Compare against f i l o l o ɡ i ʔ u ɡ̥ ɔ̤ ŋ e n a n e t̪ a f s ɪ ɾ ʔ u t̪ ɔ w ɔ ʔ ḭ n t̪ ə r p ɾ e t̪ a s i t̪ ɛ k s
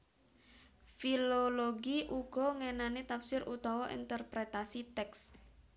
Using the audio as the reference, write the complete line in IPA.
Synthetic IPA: f i l o l o ɡ i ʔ u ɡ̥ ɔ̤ ŋ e n a n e t̪ a f s ɪ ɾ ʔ u t̪ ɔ w ɔ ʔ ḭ n t̪ ə r p ɾ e t̪ a s i t̪ ɛ k s